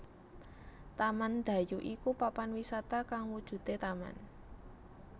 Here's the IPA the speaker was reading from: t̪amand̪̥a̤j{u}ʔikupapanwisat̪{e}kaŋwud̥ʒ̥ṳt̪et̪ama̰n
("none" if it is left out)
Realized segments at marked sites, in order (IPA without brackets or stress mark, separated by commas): u, a